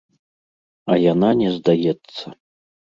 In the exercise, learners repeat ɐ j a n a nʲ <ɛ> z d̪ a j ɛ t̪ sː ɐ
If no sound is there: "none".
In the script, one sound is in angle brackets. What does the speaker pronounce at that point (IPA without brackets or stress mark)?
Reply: ɛ